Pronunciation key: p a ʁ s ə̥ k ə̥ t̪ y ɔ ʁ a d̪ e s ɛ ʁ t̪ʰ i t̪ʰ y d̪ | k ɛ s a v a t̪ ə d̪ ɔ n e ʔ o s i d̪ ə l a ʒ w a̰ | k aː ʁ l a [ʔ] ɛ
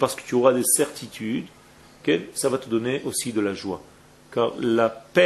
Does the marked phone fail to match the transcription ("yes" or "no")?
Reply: yes